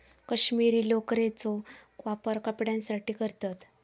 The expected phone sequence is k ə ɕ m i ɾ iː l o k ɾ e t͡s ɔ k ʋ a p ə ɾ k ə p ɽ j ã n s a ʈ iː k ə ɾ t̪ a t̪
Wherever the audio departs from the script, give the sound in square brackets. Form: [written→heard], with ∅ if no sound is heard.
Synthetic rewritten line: k ə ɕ m i ɾ iː l o k ɾ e t͡s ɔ k ʋ a p ə ɾ k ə p ɽ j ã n s a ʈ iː k ə ɾ t̪ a t̪